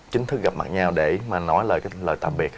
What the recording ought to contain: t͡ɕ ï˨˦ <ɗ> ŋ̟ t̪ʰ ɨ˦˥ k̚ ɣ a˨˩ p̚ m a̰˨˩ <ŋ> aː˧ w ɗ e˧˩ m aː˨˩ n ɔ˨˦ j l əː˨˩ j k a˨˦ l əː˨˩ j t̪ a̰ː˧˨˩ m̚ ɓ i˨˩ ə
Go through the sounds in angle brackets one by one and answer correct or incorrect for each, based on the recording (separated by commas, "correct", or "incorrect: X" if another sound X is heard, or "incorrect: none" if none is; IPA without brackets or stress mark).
incorrect: none, incorrect: ɲ